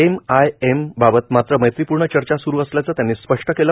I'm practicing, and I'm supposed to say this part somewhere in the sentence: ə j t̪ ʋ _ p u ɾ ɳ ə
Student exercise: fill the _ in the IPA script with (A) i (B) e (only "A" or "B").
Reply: A